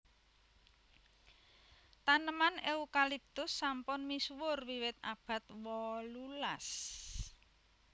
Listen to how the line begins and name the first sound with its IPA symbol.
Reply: t̪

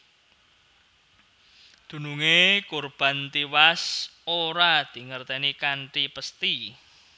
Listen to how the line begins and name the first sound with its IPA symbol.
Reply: d̪̥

